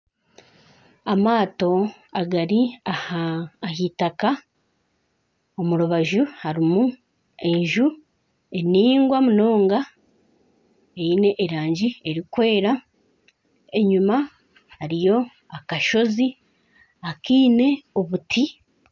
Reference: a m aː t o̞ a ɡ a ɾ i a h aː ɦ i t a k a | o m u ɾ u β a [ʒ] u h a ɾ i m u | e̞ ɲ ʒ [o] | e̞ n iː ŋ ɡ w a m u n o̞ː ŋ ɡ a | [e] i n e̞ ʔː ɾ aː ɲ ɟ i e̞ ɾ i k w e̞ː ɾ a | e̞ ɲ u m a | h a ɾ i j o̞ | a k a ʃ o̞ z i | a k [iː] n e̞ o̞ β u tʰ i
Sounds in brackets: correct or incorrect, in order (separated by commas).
correct, incorrect, correct, correct